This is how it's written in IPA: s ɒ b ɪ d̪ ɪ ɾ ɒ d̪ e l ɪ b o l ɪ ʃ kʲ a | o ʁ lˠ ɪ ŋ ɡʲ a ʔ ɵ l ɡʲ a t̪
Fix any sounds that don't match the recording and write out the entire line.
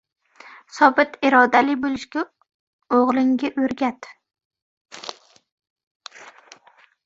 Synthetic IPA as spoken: s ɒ b ɪ t̪ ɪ ɾ ɒ d̪ a l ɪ b o l ɪ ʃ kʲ a | o ʁ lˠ ɪ ŋ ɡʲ a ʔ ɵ ɾ ɡʲ a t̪

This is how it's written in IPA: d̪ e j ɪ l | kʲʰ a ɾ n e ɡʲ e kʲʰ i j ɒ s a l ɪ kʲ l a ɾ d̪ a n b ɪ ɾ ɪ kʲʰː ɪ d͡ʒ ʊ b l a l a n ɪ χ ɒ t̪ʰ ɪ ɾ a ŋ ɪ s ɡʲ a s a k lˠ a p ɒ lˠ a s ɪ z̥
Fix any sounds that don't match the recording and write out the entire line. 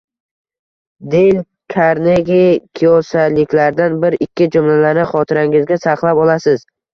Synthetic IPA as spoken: d̪ e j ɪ l | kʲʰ a ɾ n e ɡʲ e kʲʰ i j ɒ s a l ɪ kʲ l a ɾ d̪ a n b ɪ ɾ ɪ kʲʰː ɪ d͡ʒ ʊ m l a l a n ɪ χ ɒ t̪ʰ ɪ ɾ a ŋ ɪ z ɡʲ a s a q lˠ a p ɒ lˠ a s ɪ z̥

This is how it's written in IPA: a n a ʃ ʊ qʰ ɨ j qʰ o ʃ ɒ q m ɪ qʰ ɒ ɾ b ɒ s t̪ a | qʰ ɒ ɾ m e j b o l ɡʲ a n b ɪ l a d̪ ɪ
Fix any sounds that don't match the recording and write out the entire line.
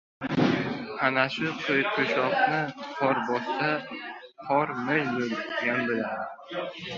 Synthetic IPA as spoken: a n a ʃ ʊ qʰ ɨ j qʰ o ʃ ɒ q n ɪ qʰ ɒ ɾ b ɒ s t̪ a | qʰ ɒ ɾ m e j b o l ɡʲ a n b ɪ l a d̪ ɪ

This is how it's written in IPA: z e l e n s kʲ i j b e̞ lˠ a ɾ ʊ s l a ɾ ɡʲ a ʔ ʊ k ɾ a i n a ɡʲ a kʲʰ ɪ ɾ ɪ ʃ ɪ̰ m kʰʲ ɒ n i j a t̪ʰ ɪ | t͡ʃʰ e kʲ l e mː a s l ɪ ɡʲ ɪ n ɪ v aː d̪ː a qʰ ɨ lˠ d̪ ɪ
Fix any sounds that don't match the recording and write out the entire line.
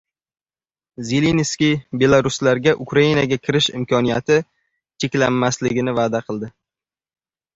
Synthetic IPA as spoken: z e l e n s kʲ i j b e̞ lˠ a ɾ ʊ s l a ɾ ɡʲ a ʔ ʊ k ɾ a i n a ɡʲ a kʲʰ ɪ ɾ ɪ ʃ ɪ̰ m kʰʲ ɒ n i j a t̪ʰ ɪ | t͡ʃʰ e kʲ l a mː a s l ɪ ɡʲ ɪ n ɪ v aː d̪ a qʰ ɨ lˠ d̪ ɪ

